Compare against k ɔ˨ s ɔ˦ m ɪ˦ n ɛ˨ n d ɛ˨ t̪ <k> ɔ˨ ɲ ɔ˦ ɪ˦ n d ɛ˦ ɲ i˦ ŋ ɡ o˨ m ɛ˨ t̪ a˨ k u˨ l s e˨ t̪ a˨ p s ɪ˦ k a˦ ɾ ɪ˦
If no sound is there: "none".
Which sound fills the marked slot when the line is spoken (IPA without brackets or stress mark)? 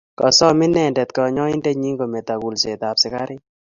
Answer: k